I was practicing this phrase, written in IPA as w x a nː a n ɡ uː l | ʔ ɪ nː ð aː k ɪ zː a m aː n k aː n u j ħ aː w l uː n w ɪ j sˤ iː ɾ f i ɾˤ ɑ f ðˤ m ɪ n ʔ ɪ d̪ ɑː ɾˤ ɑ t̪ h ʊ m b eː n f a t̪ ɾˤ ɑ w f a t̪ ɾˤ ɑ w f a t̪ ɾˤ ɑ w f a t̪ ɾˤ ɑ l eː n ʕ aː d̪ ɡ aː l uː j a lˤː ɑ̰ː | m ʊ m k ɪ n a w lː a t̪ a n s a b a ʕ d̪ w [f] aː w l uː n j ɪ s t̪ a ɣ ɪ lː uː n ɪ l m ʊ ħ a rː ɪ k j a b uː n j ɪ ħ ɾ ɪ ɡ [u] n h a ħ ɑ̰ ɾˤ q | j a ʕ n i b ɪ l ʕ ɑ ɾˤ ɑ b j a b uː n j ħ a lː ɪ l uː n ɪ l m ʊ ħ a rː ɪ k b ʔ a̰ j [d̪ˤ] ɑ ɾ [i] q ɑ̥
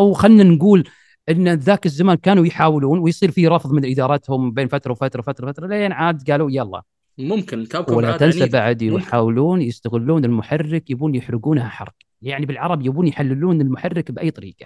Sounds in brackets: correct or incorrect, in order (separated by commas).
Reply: incorrect, incorrect, incorrect, incorrect